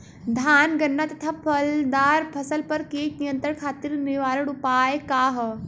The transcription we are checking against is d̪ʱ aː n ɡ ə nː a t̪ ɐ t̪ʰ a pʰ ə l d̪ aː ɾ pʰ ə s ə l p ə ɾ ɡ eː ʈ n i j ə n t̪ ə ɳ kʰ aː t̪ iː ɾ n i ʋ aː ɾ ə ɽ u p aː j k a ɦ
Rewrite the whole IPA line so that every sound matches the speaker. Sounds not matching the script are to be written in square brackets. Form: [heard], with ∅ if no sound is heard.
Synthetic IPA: d̪ʱ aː n ɡ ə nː a t̪ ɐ t̪ʰ a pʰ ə l d̪ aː ɾ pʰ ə s ə l p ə ɾ [k] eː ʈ n i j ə n t̪ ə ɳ kʰ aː t̪ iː ɾ n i ʋ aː ɾ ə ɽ u p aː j k a ɦ